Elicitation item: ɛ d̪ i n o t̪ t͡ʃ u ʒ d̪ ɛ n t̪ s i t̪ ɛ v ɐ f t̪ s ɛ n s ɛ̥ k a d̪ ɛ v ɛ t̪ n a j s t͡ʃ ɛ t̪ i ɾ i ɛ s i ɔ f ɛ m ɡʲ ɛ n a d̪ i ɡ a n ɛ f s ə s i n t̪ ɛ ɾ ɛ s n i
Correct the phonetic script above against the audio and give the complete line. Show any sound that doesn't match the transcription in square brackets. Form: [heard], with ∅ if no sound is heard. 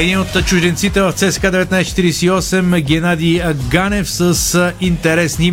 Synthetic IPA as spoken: ɛ d̪ i n o t̪ t͡ʃ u ʒ d̪ ɛ n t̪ s i t̪ ɛ v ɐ f t̪ s ɛ [∅] s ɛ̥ k a d̪ ɛ v ɛ t̪ n a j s t͡ʃ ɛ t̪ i ɾ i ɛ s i ɔ [s] ɛ m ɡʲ ɛ n a d̪ i ɡ a n ɛ f s ə s i n t̪ ɛ ɾ ɛ s n i